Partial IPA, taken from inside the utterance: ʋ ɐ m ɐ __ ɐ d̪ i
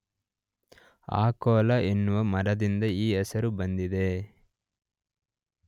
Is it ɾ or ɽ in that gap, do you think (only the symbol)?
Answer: ɾ